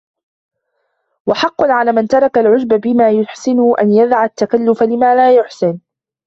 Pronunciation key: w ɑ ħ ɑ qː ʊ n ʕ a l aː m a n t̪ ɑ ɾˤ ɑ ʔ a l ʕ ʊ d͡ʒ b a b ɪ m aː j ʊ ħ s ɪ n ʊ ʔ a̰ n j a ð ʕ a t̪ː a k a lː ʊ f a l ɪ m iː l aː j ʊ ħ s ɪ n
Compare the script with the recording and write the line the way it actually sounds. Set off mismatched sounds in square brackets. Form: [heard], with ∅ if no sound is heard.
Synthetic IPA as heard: w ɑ ħ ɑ qː ʊ n ʕ a l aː m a n t̪ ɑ ɾˤ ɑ [k] a l ʕ ʊ d͡ʒ b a b ɪ m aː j ʊ ħ s ɪ n ʊ ʔ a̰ n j a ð ʕ a t̪ː a k a lː ʊ f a l ɪ m [aː] l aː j ʊ ħ s ɪ n